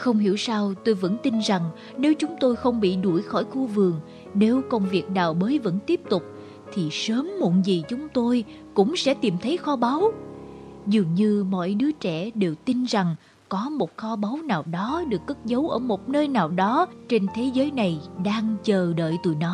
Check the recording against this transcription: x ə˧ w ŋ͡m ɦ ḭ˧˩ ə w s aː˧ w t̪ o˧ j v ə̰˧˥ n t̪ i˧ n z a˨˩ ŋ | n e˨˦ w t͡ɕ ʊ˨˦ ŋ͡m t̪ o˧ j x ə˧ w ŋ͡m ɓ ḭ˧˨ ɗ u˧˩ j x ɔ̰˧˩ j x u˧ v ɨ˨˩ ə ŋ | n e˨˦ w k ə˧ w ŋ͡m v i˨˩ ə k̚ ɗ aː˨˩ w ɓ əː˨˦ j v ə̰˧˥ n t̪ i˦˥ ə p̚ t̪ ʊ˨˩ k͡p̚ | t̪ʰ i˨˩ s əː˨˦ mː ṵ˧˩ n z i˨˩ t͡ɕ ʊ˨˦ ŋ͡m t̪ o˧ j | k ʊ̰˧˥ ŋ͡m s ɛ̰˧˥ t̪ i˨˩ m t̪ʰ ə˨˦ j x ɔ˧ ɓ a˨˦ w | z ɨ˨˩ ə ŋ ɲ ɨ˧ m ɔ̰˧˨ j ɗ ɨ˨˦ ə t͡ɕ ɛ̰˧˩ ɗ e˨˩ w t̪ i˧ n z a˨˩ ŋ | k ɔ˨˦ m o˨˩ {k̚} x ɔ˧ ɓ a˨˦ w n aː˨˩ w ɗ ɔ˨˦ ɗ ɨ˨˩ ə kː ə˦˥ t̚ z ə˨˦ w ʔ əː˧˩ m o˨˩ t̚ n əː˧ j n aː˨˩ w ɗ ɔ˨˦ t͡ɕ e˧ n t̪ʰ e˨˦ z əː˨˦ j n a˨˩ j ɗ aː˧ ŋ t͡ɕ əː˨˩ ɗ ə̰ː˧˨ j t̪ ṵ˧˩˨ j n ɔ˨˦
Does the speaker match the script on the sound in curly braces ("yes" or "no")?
no